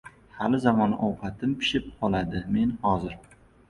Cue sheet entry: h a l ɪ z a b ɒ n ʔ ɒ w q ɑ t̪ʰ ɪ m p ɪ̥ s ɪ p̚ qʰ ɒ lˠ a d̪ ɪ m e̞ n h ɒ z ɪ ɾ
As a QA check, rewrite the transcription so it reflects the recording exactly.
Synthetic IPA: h a l ɪ z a m ɒ n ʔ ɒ w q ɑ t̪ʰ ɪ m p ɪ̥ ʃ ɪ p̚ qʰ ɒ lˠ a d̪ ɪ m e̞ n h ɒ z ɪ ɾ